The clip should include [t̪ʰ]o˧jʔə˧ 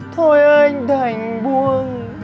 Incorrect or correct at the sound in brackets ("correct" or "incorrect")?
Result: correct